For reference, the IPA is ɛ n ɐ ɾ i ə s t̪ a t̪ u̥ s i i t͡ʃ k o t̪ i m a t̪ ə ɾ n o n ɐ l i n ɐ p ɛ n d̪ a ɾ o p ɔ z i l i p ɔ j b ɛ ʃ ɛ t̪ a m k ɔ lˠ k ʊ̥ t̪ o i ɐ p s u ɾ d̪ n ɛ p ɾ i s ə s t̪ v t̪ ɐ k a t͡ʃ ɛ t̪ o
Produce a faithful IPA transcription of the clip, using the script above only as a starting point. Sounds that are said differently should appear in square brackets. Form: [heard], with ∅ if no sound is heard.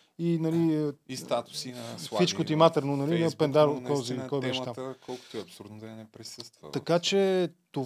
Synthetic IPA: [i] n ɐ [l] i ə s t̪ a t̪ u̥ s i i t͡ʃ k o t̪ i m a t̪ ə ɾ n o n ɐ l i n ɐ p ɛ n d̪ a ɾ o [k] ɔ z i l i [k] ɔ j b ɛ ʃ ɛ t̪ a m k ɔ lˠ k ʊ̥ t̪ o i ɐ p s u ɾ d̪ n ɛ p ɾ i s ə s t̪ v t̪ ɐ k a t͡ʃ ɛ t̪ o